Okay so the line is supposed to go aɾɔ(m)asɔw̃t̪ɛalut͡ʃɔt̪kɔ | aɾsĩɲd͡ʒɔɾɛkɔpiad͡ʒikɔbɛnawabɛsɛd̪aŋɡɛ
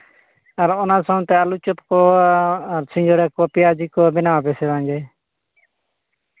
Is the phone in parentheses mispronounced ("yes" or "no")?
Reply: yes